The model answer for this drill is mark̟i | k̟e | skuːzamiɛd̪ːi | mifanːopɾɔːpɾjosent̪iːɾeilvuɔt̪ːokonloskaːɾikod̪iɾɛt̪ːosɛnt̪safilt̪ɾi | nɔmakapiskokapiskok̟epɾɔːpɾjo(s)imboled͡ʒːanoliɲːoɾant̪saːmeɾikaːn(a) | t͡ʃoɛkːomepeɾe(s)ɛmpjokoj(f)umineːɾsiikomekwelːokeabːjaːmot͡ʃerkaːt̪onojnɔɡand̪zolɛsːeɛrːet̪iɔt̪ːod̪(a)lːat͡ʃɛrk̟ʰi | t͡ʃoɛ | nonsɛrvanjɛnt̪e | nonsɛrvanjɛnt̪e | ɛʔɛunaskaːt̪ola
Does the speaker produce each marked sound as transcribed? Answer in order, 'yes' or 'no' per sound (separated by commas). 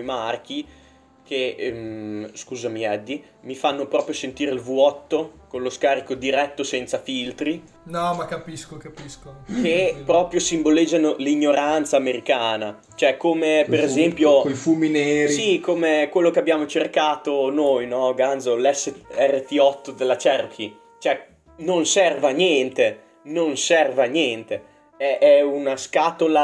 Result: yes, yes, no, yes, no